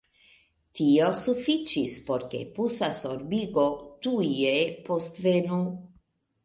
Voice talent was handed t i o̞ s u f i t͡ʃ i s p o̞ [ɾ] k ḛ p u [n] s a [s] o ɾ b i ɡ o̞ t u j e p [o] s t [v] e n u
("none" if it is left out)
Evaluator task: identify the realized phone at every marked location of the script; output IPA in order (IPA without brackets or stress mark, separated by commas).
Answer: ɾ, none, s, o, v